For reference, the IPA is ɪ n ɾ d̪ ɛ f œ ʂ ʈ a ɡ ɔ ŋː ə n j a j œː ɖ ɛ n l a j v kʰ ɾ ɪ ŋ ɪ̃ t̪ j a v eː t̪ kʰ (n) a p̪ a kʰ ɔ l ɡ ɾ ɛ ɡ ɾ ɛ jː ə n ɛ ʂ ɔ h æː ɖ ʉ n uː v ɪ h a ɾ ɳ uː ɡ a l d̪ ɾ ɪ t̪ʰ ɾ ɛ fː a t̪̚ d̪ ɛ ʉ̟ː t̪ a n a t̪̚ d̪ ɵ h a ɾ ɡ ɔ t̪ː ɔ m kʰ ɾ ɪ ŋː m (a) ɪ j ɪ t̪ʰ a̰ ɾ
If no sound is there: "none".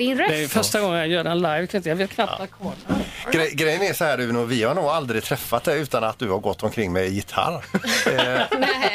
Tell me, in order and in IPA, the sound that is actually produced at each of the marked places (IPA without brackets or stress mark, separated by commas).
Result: n, ɛ